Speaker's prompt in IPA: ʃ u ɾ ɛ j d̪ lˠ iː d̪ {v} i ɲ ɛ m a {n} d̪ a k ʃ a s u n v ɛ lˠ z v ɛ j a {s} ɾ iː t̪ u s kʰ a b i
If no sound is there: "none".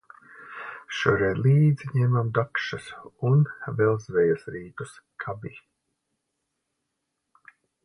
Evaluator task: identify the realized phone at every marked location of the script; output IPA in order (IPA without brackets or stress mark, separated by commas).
z, m, s